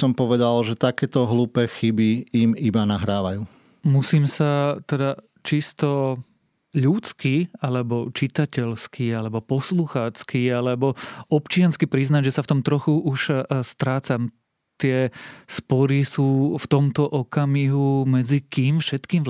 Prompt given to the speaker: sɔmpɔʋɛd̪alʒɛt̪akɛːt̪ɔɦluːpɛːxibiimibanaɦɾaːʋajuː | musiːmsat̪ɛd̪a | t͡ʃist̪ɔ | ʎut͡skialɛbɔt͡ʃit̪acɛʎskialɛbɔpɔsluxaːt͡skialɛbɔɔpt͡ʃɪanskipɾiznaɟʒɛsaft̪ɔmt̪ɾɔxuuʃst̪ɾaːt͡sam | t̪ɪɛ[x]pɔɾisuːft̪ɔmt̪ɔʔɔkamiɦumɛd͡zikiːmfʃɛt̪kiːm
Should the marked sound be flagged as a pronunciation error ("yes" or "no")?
yes